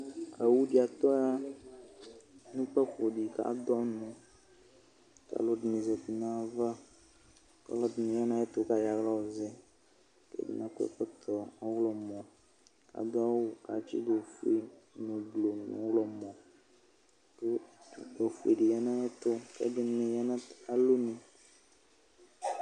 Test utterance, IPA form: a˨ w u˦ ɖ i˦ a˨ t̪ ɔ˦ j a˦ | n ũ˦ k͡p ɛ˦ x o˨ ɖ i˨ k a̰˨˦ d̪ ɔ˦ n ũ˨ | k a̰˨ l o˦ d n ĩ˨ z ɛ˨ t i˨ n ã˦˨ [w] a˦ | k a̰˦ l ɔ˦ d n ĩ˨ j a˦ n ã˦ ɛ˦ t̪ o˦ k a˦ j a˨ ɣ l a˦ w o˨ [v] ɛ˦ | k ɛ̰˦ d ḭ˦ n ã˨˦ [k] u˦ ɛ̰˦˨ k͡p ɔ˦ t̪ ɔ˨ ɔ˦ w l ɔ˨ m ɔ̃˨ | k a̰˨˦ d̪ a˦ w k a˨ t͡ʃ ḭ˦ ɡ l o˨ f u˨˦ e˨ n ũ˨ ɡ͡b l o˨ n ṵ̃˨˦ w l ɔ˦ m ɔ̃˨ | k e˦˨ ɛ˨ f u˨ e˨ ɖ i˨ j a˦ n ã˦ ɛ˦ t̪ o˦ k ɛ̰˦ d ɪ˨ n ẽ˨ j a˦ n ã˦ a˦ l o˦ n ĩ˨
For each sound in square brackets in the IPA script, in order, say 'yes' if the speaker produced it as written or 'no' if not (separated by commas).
no, no, yes